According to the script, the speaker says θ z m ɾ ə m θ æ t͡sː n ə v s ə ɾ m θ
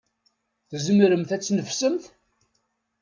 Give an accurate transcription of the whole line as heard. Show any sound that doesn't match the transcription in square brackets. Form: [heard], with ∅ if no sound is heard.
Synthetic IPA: θ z m ɾ ə m θ æ t͡sː n ə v s ə [∅] m θ